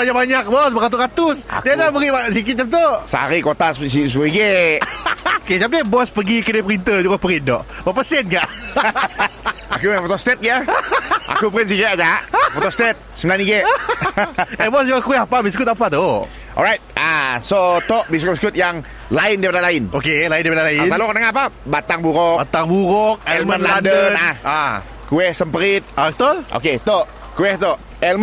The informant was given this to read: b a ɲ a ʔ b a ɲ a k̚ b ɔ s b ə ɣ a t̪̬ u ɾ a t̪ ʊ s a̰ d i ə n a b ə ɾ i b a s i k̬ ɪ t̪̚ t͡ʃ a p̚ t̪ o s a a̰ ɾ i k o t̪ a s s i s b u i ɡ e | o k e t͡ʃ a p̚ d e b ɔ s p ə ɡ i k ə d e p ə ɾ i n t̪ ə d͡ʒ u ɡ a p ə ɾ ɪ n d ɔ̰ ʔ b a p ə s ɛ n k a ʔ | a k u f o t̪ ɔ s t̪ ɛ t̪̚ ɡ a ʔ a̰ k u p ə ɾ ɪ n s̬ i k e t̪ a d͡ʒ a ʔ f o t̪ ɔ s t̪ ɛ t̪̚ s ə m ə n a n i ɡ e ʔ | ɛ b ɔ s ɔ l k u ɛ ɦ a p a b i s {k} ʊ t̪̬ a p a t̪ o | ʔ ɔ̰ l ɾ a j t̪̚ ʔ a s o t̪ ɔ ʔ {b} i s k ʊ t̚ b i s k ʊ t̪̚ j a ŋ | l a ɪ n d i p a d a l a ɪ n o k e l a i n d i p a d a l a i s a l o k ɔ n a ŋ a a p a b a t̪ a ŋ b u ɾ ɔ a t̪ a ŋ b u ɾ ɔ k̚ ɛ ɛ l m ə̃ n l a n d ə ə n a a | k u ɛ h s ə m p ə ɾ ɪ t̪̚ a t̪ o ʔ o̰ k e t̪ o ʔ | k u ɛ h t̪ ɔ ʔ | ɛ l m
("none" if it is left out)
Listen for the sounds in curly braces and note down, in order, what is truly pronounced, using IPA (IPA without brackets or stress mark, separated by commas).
k, b